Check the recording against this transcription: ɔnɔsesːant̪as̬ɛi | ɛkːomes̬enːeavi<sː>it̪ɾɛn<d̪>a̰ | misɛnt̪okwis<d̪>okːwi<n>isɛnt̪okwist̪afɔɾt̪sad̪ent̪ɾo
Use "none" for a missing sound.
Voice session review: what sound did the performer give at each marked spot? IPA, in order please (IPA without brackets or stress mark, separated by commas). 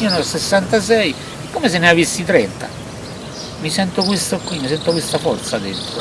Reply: sː, t̪, t̪, m